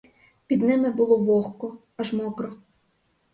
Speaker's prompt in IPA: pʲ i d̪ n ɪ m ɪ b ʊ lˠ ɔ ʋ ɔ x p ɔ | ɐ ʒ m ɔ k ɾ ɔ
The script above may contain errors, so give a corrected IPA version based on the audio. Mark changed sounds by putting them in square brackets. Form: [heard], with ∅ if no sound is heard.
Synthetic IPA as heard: pʲ i d̪ n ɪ m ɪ b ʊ lˠ ɔ ʋ ɔ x [k] ɔ | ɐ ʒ m ɔ k ɾ ɔ